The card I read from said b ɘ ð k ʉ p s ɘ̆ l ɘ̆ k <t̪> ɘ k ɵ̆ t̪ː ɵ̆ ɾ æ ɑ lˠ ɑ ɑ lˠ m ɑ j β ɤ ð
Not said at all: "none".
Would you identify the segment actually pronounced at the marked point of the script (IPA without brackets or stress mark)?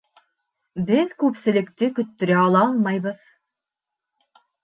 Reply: t̪